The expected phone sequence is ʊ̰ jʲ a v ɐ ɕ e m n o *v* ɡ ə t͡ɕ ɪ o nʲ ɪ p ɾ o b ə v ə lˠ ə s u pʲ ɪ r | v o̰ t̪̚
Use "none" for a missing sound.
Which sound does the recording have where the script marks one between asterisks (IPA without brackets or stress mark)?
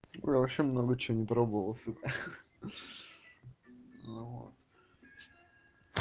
none